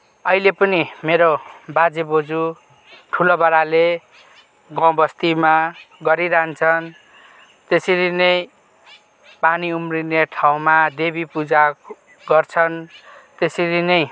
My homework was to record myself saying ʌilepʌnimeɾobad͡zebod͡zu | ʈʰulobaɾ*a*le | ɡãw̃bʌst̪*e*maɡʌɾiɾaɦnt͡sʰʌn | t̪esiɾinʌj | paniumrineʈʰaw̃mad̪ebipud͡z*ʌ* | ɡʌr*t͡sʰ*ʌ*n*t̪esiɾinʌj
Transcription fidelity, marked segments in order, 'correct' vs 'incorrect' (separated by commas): correct, incorrect, incorrect, correct, correct